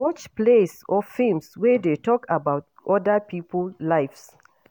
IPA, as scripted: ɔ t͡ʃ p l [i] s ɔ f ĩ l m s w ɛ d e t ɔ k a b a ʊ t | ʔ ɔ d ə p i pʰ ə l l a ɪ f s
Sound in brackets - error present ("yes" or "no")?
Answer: yes